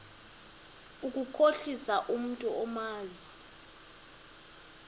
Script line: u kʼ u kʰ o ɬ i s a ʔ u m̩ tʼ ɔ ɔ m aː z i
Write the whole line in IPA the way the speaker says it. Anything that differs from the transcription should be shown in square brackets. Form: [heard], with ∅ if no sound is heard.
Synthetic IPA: u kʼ u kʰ o ɬ i s a ʔ u m̩ tʼ [u] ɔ m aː z i